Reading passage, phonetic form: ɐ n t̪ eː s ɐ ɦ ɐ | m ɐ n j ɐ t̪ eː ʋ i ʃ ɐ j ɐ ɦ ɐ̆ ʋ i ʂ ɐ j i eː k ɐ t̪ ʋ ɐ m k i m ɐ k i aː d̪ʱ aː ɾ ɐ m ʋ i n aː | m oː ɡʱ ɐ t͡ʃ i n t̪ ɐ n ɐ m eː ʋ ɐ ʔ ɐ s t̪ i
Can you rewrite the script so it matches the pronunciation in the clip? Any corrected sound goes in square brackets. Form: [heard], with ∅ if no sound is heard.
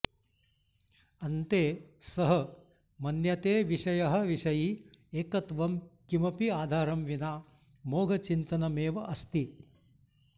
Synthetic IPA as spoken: ɐ n t̪ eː s ɐ ɦ ɐ | m ɐ n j ɐ t̪ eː ʋ i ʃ ɐ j ɐ ɦ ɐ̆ ʋ i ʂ ɐ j i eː k ɐ t̪ ʋ ɐ m k i m ɐ [p] i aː d̪ʱ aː ɾ ɐ m ʋ i n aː | m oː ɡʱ ɐ t͡ʃ i n t̪ ɐ n ɐ m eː ʋ ɐ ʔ ɐ s t̪ i

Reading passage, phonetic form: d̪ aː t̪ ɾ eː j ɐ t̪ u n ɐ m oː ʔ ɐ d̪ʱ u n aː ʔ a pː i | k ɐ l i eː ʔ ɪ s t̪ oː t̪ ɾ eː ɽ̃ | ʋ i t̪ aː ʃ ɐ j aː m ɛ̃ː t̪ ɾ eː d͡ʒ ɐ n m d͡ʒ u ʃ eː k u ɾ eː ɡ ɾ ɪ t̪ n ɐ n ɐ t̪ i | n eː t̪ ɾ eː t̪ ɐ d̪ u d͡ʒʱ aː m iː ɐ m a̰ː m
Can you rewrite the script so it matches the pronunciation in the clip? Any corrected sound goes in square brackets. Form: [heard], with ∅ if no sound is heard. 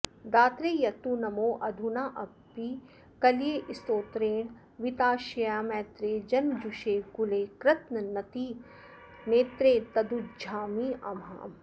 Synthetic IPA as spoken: d̪ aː t̪ ɾ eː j ɐ t̪ u n ɐ m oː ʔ ɐ d̪ʱ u n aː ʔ [ɐ] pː i | k ɐ l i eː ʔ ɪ s t̪ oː t̪ ɾ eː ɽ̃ | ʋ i t̪ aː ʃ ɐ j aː m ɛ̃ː t̪ ɾ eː d͡ʒ ɐ n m d͡ʒ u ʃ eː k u [l] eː [k] ɾ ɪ t̪ n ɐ n ɐ t̪ i | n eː t̪ ɾ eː t̪ ɐ d̪ u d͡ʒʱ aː m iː ɐ m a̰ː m

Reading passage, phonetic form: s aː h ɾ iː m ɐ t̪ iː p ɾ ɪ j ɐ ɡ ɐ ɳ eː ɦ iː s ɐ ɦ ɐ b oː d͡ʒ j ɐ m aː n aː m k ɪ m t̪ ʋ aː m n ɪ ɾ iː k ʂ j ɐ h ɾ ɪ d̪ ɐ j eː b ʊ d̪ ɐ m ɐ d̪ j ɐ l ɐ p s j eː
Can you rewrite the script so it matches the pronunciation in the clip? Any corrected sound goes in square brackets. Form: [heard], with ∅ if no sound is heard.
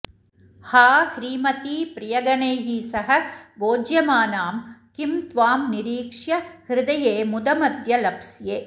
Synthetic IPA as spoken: [h] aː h ɾ iː m ɐ t̪ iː p ɾ ɪ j ɐ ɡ ɐ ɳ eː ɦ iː s ɐ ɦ ɐ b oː d͡ʒ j ɐ m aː n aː m k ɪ m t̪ ʋ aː m n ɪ ɾ iː k ʂ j ɐ h ɾ ɪ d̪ ɐ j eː [m] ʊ d̪ ɐ m ɐ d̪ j ɐ l ɐ p s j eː

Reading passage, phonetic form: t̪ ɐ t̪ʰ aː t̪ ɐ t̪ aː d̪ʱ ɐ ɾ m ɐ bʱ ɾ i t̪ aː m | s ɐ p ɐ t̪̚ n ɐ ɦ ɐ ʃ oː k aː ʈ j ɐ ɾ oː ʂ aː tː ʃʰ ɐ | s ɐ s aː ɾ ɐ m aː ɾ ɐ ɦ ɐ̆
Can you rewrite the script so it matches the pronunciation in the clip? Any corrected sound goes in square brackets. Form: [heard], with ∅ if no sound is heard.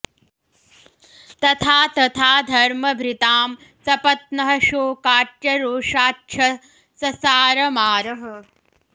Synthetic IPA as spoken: t̪ ɐ t̪ʰ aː t̪ ɐ [t̪ʰ] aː d̪ʱ ɐ ɾ m ɐ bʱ ɾ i t̪ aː m | s ɐ p ɐ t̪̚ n ɐ ɦ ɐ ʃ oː k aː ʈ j ɐ ɾ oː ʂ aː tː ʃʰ ɐ | s ɐ s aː ɾ ɐ m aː ɾ ɐ ɦ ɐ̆

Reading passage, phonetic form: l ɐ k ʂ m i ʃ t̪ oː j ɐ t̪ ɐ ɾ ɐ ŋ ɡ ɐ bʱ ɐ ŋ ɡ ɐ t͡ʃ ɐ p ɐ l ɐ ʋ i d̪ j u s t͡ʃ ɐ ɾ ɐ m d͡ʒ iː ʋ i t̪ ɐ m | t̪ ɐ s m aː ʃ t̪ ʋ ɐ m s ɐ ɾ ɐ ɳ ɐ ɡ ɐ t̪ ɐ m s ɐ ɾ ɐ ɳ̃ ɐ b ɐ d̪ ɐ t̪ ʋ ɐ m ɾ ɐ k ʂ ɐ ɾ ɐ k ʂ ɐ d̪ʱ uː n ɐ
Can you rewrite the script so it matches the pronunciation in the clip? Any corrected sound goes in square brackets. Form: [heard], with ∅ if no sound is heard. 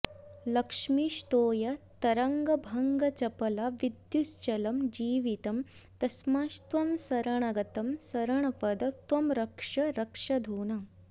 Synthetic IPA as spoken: l ɐ k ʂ m i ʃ t̪ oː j ɐ t̪ ɐ ɾ ɐ ŋ ɡ ɐ bʱ ɐ ŋ ɡ ɐ t͡ʃ ɐ p ɐ l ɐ ʋ i d̪ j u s t͡ʃ ɐ [l] ɐ m d͡ʒ iː ʋ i t̪ ɐ m | t̪ ɐ s m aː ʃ t̪ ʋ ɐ m s ɐ ɾ ɐ ɳ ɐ ɡ ɐ t̪ ɐ m s ɐ ɾ ɐ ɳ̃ ɐ [p] ɐ d̪ ɐ t̪ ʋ ɐ m ɾ ɐ k ʂ ɐ ɾ ɐ k ʂ ɐ d̪ʱ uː n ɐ

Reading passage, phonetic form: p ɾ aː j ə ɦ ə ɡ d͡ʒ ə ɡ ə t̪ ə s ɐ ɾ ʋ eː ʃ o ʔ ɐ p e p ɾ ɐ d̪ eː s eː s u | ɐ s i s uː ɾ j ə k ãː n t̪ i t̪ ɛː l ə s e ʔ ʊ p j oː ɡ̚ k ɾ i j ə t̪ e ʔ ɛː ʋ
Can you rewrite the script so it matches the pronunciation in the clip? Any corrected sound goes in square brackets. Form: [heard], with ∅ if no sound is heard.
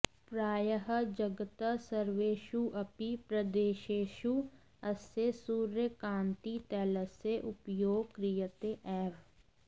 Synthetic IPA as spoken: p ɾ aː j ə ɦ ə [∅] d͡ʒ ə ɡ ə t̪ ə s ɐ ɾ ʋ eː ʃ [u] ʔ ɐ p [i] p ɾ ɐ d̪ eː [ʃ] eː [ʃ] u | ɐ s [e] s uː ɾ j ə k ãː n t̪ i t̪ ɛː l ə s e ʔ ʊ p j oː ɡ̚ k ɾ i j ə t̪ e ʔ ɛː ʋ

